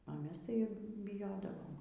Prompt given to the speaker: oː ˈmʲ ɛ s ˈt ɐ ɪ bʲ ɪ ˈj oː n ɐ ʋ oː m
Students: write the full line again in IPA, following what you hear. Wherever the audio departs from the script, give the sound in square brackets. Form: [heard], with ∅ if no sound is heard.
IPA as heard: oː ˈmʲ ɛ s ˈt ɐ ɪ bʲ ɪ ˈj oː [d] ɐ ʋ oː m